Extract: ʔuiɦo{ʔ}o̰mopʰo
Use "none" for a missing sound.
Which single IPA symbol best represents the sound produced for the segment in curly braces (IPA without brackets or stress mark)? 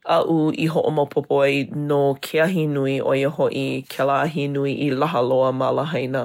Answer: ʔ